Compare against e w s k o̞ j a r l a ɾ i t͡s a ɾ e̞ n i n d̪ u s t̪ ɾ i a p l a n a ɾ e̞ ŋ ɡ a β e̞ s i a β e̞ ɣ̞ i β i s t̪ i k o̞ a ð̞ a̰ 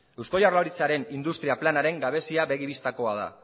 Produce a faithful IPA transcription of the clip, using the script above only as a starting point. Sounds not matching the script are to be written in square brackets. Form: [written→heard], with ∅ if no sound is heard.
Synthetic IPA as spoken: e w s k o̞ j a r l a ɾ i t͡s a ɾ e̞ n i n d̪ u s t̪ ɾ i a p l a n a ɾ e̞ ŋ ɡ a β e̞ s i a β e̞ ɣ̞ i β i s t̪ [i→a] k o̞ a ð̞ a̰